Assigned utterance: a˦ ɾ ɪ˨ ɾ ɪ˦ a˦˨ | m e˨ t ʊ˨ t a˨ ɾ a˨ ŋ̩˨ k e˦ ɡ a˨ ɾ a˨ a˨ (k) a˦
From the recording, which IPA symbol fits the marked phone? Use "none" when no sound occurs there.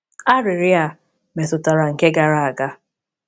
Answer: ɡ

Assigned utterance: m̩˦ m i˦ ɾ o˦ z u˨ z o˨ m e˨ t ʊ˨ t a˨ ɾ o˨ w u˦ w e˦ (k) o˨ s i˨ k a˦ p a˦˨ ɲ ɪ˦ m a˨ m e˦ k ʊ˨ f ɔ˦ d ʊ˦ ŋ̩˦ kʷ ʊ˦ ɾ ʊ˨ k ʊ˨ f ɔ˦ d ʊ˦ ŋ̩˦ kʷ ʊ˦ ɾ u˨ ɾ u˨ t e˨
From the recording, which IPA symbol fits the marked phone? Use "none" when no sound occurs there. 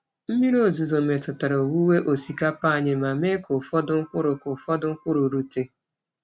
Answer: ʔ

